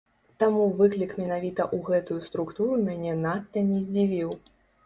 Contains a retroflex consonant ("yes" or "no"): no